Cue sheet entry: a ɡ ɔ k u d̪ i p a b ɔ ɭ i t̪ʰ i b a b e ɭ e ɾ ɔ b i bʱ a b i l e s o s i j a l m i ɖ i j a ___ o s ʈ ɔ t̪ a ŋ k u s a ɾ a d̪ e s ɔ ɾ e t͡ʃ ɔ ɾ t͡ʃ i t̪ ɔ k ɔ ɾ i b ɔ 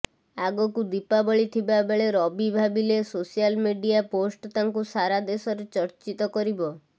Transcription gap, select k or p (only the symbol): p